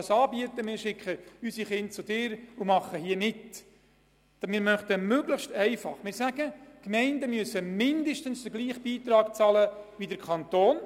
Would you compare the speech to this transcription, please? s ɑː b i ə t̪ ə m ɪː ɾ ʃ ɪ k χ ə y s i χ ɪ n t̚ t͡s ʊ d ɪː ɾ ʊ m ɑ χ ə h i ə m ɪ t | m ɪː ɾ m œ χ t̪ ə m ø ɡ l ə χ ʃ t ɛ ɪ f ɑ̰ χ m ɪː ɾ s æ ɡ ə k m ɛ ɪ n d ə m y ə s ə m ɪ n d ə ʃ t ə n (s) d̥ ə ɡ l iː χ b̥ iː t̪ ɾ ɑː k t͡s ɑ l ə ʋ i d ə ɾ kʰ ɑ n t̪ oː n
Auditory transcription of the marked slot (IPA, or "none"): s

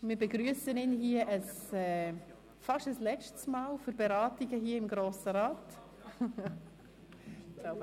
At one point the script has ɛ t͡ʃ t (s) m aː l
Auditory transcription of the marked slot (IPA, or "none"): s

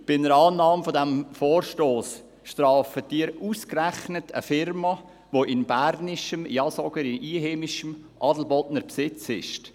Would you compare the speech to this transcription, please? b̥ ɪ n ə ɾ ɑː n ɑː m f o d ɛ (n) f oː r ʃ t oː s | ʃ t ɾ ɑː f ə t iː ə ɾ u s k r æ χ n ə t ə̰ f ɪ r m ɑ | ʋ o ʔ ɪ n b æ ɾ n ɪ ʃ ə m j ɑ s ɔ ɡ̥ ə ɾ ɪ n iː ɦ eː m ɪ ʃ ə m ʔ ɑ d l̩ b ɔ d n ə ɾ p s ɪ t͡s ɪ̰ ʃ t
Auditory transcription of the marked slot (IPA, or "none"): m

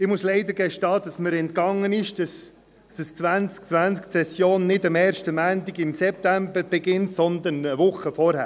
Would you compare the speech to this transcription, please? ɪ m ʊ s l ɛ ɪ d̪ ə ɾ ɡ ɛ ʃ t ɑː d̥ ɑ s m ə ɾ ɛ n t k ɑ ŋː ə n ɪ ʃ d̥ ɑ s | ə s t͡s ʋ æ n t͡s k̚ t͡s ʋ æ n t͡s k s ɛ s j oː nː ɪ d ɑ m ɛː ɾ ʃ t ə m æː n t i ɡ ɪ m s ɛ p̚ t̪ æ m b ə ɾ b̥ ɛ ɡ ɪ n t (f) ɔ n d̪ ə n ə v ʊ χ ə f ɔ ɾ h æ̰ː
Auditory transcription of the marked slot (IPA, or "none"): s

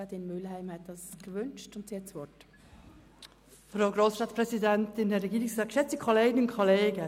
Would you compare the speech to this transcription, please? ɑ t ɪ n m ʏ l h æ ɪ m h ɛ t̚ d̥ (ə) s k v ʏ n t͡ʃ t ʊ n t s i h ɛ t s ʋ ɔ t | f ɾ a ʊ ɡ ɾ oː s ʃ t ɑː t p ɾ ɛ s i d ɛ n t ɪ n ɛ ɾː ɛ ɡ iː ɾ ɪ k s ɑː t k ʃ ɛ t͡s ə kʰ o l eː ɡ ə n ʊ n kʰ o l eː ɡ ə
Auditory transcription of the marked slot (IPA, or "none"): ɑ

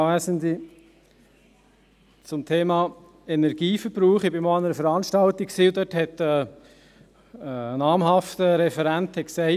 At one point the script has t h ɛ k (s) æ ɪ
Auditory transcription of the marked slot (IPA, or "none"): s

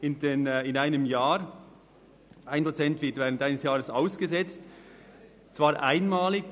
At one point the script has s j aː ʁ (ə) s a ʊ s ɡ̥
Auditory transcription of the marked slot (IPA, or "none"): ə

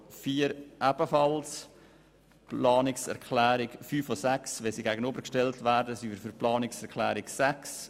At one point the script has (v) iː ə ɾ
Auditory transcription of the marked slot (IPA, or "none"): f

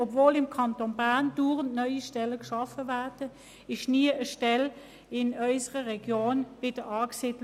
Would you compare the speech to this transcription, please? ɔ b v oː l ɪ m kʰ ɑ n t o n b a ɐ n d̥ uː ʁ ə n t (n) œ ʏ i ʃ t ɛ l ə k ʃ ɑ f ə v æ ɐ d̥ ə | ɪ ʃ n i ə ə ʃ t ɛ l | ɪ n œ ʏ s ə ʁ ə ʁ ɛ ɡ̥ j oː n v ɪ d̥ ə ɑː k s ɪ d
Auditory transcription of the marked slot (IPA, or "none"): n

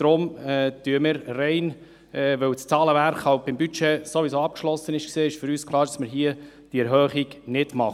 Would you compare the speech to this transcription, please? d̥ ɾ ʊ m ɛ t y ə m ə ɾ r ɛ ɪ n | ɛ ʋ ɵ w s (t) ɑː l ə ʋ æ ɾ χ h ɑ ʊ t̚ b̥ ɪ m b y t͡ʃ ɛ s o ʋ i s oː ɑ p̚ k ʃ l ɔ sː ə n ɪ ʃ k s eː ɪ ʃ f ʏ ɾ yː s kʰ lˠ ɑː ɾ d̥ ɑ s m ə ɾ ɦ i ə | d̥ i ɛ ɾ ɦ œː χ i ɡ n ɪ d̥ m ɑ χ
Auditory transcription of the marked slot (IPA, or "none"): t͡s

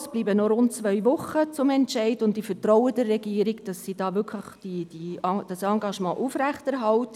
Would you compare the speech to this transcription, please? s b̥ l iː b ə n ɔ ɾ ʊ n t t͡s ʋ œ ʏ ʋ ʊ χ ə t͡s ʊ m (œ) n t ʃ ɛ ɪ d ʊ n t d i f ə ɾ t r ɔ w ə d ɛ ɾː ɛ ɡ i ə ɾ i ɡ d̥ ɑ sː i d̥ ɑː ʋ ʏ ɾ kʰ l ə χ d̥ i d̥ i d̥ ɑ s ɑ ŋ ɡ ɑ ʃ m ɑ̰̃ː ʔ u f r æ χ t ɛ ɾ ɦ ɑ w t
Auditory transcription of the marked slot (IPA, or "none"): ɛ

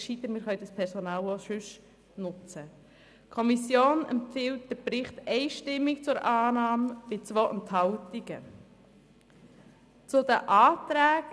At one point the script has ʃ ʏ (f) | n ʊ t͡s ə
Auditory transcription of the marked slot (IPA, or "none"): ʃ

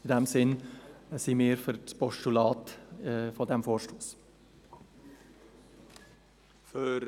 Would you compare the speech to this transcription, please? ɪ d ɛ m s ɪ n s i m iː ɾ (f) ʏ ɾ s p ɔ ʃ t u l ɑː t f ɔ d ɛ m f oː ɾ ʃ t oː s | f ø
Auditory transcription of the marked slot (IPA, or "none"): f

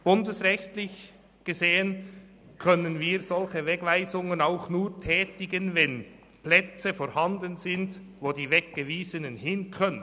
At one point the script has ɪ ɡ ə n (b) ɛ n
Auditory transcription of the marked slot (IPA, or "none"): v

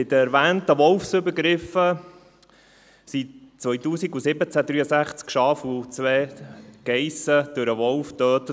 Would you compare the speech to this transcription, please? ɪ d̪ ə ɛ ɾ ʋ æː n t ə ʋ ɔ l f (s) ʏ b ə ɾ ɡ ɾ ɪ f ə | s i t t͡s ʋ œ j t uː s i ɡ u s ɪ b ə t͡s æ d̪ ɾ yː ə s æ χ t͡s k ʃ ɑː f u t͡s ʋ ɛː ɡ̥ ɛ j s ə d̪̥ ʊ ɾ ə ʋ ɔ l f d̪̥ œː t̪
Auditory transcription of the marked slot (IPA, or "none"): s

